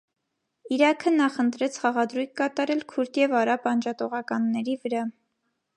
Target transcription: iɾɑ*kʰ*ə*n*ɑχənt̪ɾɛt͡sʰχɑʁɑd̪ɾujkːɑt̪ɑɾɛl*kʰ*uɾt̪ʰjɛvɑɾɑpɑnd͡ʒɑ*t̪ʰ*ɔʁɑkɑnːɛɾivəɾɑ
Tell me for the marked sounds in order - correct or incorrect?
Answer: correct, correct, correct, incorrect: t̪

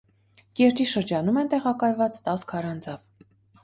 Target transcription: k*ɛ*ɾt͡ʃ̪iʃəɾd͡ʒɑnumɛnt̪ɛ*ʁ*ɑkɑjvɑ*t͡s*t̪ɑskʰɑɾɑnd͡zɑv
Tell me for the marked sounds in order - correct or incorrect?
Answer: correct, correct, correct

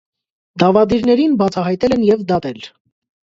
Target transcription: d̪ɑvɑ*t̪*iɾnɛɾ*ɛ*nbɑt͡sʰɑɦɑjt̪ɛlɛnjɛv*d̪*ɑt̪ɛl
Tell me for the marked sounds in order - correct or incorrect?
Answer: incorrect: d̪, incorrect: i, correct

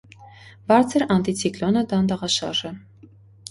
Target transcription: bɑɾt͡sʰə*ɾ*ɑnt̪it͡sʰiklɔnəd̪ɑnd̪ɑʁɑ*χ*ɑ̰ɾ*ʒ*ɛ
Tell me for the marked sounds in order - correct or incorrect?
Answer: correct, incorrect: ʃ, correct

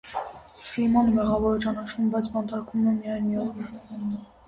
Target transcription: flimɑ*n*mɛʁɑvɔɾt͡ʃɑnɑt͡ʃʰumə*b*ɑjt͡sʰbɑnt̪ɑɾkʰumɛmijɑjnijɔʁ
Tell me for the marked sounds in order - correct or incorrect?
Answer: correct, correct

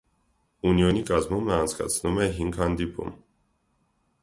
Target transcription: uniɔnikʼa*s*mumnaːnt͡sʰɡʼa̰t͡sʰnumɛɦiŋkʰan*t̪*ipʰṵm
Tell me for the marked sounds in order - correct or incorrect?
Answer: incorrect: z, incorrect: d̪

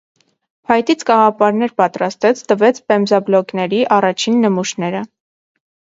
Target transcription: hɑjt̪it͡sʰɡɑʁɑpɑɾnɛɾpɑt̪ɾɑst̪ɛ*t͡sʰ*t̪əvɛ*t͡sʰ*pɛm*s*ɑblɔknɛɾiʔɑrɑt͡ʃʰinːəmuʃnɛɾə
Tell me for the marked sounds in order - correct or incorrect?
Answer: correct, correct, incorrect: z

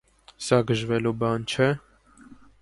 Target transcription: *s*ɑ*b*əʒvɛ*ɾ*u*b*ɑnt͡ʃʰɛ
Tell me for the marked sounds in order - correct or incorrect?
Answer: correct, incorrect: ɡ, incorrect: l, correct

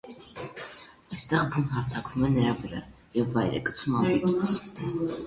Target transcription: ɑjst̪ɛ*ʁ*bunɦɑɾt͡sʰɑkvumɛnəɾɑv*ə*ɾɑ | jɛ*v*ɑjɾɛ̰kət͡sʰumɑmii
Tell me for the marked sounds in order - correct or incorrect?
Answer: correct, correct, incorrect: vː

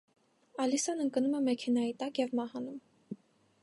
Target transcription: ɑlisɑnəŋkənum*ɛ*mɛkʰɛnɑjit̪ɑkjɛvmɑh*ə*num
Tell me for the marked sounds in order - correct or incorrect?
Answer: correct, incorrect: ɑ

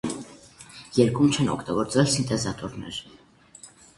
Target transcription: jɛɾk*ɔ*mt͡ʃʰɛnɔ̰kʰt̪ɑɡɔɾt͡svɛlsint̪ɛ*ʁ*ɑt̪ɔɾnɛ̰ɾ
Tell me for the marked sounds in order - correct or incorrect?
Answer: incorrect: u, incorrect: z

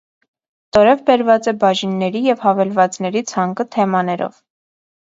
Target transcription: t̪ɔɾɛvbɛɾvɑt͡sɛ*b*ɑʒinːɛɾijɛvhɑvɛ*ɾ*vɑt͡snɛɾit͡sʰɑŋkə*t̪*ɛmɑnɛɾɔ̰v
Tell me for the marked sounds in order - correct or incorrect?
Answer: correct, incorrect: l, incorrect: t̪ʰ

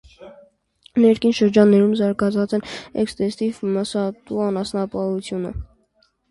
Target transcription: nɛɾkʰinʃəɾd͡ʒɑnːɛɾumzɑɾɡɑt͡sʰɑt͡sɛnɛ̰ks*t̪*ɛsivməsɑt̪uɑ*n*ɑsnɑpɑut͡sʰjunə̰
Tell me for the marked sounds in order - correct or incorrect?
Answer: correct, correct

